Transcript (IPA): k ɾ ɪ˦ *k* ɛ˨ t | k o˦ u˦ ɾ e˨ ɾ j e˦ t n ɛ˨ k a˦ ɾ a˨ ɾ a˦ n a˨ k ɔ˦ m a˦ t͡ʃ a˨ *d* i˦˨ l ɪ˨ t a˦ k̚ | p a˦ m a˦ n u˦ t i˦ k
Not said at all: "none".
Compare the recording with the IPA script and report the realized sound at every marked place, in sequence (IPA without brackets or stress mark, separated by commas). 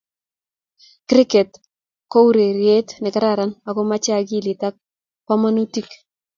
k, ɡ